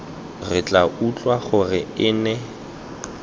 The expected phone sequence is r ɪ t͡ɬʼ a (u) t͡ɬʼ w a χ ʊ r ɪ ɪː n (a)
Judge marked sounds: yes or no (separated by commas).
yes, no